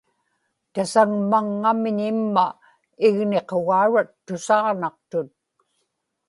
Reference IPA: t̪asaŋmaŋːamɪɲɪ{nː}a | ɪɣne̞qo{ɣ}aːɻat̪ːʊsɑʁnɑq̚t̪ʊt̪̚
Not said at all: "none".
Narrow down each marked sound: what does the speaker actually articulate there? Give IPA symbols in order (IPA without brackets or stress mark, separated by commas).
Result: mː, ɣ